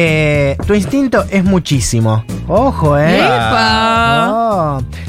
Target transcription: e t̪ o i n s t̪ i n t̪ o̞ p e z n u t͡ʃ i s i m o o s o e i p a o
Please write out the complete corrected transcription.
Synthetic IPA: e t̪ u i n s t̪ i n t̪ o̞ ʔ e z m u t͡ʃ i s i m o o x o e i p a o